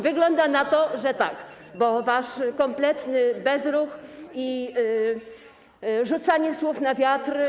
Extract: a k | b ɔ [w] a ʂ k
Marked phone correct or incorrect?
incorrect